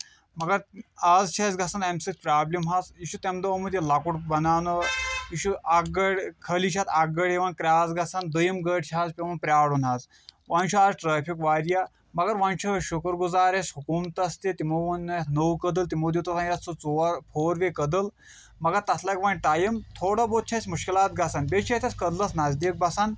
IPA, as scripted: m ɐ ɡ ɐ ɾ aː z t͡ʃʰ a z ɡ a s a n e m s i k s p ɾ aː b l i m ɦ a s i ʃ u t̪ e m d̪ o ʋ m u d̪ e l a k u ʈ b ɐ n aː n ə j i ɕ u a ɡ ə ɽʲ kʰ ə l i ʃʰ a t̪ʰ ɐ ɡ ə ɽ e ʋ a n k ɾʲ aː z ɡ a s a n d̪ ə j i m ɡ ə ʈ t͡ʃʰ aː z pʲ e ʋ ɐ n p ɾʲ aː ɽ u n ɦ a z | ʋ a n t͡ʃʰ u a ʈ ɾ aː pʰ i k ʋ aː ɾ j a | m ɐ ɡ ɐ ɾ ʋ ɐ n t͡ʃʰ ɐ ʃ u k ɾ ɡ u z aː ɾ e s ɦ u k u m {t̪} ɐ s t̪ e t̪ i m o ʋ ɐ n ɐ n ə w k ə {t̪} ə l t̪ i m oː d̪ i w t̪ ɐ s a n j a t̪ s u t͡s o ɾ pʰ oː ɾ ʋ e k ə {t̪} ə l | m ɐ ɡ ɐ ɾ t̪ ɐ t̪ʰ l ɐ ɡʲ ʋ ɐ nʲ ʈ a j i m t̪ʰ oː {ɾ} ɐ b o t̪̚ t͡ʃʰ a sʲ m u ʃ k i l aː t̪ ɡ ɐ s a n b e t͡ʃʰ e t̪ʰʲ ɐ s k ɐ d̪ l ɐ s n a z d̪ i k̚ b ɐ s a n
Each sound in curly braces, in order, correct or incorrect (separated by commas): correct, incorrect, incorrect, incorrect